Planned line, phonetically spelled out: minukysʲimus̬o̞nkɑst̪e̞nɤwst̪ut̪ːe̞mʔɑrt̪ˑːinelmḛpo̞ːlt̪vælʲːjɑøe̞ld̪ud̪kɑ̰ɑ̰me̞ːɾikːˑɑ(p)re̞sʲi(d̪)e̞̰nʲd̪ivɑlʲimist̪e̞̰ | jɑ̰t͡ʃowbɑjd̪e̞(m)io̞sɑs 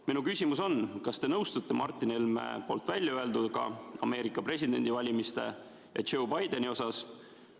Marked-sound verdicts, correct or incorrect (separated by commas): correct, correct, incorrect